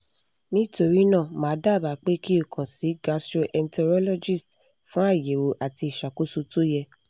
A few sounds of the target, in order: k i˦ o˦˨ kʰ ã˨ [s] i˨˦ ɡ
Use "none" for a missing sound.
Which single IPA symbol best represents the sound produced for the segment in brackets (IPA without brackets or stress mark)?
s